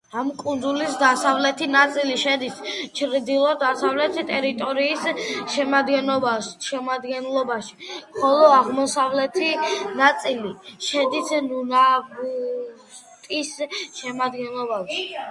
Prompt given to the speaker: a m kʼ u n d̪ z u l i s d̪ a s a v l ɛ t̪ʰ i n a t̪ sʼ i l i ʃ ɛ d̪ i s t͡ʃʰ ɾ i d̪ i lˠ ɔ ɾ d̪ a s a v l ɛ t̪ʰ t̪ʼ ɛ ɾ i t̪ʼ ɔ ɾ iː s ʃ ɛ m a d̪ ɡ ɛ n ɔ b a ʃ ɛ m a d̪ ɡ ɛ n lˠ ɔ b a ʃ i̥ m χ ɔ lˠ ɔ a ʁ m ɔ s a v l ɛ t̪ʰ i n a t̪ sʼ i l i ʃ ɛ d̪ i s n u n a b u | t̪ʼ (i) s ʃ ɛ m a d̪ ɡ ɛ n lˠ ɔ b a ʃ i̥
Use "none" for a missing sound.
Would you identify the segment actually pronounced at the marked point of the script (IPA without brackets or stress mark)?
i